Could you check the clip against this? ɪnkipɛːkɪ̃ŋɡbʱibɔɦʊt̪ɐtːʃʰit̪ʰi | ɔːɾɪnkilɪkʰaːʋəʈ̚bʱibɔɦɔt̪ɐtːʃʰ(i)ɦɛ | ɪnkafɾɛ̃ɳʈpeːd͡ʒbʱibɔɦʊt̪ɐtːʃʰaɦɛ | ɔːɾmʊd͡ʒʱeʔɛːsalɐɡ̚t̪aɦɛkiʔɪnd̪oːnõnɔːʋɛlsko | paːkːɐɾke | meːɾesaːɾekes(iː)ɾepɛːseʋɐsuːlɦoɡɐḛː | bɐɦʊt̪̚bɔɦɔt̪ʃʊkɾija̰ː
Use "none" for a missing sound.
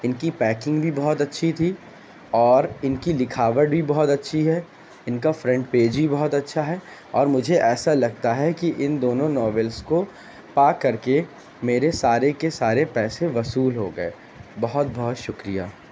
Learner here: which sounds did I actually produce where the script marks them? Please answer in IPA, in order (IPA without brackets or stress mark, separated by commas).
i, aː